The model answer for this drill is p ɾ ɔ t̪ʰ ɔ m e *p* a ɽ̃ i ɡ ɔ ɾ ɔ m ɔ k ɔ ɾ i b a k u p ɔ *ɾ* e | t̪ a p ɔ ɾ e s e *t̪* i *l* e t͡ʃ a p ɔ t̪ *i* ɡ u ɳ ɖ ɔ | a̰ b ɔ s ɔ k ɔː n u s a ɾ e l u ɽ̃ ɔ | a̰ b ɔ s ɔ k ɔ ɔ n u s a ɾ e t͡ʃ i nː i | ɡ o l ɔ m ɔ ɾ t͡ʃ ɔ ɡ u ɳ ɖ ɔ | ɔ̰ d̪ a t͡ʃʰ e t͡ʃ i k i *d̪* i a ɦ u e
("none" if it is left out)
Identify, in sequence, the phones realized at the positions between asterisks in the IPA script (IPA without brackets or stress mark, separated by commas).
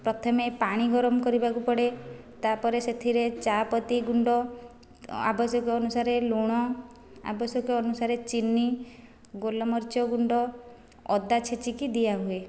p, ɽ, t̪ʰ, ɾ, i, d̪